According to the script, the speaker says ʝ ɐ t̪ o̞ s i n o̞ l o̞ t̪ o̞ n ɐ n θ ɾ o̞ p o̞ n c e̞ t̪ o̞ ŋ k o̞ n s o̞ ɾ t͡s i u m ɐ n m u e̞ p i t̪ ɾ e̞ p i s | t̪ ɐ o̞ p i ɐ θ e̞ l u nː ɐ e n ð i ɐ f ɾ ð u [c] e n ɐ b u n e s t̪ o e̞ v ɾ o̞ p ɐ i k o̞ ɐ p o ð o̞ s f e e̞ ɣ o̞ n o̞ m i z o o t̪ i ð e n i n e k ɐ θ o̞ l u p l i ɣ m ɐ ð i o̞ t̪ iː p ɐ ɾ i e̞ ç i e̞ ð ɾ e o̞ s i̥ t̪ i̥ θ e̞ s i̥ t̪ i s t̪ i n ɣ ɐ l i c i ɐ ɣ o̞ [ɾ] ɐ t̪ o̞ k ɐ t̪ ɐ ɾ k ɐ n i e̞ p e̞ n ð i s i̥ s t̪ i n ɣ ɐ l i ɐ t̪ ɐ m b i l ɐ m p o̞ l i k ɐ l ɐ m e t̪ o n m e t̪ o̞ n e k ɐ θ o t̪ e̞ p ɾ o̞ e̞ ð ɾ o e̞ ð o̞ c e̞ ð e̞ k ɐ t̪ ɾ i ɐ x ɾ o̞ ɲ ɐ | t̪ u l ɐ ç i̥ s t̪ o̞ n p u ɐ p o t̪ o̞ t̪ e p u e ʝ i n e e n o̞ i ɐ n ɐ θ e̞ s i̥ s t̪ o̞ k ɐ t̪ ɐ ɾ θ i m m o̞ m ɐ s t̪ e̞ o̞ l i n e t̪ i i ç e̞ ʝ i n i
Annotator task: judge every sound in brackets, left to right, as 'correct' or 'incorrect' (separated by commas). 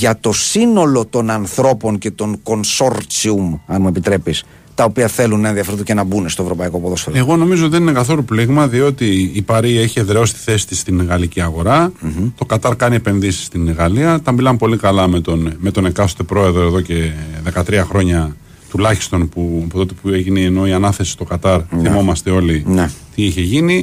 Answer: correct, correct